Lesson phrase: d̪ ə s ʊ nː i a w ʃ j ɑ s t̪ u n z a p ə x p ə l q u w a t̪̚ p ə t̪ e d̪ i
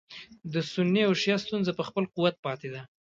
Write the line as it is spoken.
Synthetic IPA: d̪ ə s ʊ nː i a w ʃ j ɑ s t̪ u n z a p ə x p ə l q u w a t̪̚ p ɑ t̪ e d̪ a